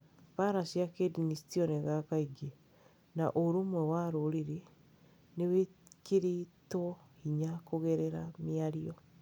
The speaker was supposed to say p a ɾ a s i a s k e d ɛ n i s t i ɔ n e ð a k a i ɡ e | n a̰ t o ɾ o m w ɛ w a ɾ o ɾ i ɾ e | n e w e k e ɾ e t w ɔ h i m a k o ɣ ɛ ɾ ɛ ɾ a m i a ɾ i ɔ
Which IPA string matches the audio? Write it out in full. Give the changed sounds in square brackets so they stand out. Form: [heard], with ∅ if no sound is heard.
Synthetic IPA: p a ɾ a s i a [∅] k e d [i] n i s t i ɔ n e [ɣ] a k a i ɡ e | n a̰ [ʔ] o ɾ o m w ɛ w a ɾ o ɾ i ɾ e | n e w e k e ɾ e t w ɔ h i [ɲ] a k o ɣ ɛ ɾ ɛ ɾ a m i a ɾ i ɔ